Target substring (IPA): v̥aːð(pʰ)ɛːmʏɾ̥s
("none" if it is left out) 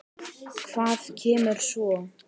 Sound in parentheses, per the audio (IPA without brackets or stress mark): cʰ